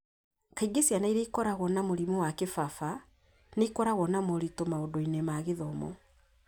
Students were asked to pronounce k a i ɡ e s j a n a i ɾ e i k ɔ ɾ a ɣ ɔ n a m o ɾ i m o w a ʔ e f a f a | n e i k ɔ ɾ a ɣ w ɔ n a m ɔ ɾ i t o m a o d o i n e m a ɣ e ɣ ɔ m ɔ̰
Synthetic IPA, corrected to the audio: k a i ɡ e s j a n a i ɾ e i k ɔ ɾ a ɣ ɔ n a m o ɾ i m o w a k e f a f a | n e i k ɔ ɾ a ɣ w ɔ n a m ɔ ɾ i t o m a o d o i n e m a ɣ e ð ɔ m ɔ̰